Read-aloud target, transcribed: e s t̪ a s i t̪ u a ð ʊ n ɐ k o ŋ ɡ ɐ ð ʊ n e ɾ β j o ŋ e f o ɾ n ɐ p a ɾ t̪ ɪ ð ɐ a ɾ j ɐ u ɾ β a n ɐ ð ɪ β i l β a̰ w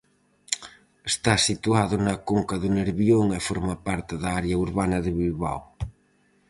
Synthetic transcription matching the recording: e s t̪ a s i t̪ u a ð ʊ n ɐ k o ŋ k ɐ ð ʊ n e ɾ β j o ŋ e f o ɾ m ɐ p a ɾ t̪ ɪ ð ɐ a ɾ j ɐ u ɾ β a n ɐ ð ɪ β i l β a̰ w